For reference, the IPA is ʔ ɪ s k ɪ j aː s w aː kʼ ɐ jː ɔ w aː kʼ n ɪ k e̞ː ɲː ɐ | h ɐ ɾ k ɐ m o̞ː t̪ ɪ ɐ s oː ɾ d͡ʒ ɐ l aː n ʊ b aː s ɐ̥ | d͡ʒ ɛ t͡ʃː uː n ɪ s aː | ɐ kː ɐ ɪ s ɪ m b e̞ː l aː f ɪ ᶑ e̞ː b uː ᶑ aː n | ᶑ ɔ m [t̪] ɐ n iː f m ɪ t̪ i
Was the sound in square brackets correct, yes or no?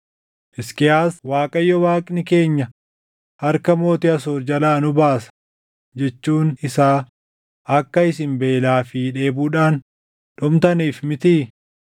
yes